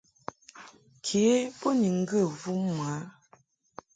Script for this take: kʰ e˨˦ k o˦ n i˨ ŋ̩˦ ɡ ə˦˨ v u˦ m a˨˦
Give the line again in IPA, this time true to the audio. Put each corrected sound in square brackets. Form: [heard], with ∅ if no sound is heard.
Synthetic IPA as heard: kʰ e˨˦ [p] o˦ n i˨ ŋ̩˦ ɡ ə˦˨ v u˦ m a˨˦

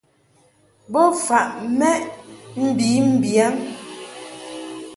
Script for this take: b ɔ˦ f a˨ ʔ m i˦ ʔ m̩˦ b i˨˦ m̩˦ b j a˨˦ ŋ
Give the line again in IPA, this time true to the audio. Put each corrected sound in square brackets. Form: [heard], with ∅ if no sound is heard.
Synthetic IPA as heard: b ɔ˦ f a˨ ʔ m [ɛ˦] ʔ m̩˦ b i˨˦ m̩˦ b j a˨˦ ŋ

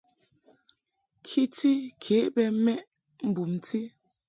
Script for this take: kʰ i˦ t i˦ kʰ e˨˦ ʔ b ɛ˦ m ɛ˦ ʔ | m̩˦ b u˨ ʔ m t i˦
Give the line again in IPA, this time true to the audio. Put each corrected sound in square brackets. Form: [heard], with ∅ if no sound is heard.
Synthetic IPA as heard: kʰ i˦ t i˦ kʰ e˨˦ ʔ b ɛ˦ m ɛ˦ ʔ | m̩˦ b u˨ [∅] m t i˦

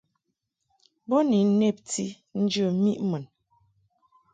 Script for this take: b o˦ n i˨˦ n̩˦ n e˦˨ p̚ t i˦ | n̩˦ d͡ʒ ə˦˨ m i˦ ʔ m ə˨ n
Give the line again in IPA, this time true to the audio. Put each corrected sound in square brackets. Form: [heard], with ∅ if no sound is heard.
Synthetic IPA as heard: b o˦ n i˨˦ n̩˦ n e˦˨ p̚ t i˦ | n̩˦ d͡ʒ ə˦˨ m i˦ ʔ m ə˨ n

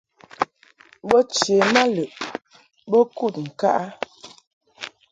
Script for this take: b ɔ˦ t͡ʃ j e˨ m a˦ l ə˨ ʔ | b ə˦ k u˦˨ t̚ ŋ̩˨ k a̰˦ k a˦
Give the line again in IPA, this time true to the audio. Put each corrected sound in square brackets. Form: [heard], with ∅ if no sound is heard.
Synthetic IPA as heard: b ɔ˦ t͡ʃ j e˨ m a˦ l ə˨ ʔ | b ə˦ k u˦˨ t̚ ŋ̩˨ k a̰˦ [ʔ] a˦

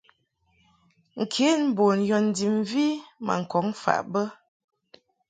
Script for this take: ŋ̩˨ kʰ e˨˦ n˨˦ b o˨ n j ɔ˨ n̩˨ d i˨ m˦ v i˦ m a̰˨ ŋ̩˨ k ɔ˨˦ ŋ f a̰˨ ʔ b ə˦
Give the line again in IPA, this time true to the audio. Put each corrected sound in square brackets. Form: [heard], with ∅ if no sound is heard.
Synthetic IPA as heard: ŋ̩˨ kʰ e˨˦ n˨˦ b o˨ n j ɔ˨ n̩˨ d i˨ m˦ v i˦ m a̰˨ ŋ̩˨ k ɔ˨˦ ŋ f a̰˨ ʔ b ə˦

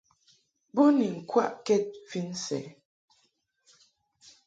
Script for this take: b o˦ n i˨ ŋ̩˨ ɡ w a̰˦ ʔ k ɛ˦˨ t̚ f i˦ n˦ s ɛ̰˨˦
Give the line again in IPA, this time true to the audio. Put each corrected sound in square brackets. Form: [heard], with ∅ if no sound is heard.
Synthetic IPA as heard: b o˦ n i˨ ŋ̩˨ [k] w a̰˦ ʔ k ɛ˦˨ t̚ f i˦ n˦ s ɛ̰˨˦

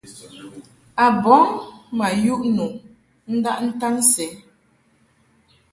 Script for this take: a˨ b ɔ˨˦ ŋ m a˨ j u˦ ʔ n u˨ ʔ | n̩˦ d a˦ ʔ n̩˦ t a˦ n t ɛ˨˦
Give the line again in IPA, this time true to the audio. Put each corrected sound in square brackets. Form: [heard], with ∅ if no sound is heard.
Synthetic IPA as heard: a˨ b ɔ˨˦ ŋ m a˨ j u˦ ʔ n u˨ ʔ | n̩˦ d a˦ ʔ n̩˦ t a˦ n [s] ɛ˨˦

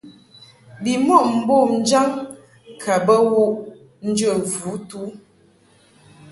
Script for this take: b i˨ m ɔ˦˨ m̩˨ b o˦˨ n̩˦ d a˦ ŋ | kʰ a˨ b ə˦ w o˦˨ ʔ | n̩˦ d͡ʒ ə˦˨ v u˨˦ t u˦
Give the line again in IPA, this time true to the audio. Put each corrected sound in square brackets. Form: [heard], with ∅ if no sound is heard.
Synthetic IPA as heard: b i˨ m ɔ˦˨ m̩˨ b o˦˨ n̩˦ [d͡ʒ] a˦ ŋ | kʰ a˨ b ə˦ w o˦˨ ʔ | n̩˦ d͡ʒ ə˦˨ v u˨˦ t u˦

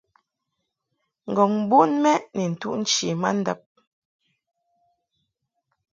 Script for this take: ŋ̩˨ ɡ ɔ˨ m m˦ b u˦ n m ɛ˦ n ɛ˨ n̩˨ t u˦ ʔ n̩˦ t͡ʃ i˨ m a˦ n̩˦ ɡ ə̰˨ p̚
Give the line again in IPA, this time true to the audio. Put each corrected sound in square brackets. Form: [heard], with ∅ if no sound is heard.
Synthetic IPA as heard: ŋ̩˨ ɡ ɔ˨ [ŋ] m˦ b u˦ n m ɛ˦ n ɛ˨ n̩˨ t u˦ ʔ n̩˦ t͡ʃ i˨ m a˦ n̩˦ [d] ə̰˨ p̚

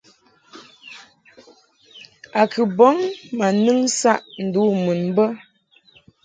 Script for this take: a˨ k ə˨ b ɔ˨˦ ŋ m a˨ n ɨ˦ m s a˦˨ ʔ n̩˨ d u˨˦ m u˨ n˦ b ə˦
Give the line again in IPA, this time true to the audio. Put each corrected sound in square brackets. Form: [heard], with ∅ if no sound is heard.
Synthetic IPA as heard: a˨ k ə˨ b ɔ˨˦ ŋ m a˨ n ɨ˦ [ŋ] s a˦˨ ʔ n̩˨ d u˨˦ m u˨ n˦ b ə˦

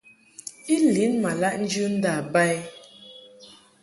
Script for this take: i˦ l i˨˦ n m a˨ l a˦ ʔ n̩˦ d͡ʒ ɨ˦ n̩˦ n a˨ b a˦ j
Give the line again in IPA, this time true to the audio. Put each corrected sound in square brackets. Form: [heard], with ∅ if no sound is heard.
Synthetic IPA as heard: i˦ l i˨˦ n m a˨ l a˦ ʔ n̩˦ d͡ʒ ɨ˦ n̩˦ [d] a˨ b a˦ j

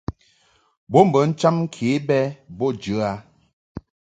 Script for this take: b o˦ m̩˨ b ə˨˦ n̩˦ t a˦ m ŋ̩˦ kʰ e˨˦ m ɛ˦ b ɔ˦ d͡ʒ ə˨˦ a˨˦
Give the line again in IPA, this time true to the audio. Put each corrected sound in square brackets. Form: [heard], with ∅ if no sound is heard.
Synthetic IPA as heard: b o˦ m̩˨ b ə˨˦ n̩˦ [t͡ʃ] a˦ m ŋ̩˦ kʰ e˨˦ [b] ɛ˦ b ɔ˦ d͡ʒ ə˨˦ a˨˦

